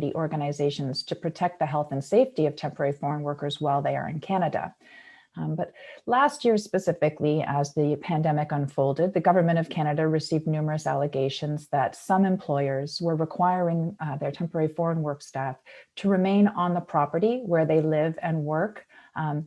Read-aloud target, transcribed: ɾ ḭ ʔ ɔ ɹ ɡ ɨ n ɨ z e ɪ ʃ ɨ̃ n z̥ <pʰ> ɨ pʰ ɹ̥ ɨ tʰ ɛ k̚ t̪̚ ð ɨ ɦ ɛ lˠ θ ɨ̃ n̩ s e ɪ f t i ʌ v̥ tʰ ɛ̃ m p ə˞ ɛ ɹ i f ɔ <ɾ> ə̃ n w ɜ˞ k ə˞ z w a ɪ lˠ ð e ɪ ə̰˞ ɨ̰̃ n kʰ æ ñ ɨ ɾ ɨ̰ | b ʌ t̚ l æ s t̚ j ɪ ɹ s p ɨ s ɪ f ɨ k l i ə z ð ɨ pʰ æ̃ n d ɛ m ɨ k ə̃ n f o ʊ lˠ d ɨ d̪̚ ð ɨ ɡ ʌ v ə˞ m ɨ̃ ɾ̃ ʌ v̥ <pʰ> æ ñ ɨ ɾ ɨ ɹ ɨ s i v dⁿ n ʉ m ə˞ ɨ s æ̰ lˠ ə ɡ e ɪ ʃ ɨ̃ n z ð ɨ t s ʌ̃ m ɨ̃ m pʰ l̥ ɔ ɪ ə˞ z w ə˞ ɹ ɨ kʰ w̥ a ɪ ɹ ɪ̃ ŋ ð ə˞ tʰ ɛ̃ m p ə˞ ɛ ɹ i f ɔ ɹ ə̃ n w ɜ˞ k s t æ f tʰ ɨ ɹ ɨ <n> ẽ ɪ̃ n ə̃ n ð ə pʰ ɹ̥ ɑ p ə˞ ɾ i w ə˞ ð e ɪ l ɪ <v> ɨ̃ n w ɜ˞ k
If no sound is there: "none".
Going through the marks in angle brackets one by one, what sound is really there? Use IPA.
tʰ, ɹ, kʰ, m, v

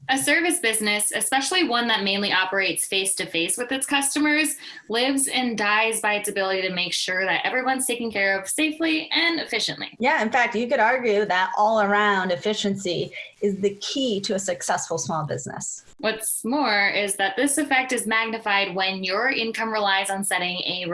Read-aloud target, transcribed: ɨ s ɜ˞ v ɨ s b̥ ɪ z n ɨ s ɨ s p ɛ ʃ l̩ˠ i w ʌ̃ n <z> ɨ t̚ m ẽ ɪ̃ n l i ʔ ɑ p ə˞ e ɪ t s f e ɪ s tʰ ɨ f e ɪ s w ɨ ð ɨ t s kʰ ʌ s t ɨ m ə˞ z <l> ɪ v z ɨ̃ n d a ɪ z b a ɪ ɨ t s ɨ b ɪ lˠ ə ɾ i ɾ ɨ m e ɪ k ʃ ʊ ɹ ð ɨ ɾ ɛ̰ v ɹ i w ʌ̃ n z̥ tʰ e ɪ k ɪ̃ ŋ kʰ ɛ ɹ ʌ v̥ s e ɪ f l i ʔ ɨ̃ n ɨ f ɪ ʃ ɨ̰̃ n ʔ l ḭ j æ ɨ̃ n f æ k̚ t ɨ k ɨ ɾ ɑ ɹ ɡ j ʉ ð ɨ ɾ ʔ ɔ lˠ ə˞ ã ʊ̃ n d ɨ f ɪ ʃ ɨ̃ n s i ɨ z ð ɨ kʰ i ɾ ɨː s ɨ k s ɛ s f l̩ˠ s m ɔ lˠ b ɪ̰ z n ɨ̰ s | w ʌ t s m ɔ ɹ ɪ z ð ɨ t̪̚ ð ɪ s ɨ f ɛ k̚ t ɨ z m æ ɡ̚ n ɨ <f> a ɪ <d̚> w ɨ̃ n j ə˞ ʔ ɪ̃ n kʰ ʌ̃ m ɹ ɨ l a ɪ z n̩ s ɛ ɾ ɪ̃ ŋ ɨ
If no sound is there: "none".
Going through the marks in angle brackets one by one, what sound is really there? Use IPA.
ð, l, f, d̚

